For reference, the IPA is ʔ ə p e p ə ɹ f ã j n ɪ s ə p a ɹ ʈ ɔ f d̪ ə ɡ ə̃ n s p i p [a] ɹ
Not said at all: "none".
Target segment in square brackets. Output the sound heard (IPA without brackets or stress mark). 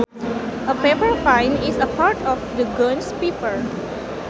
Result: ə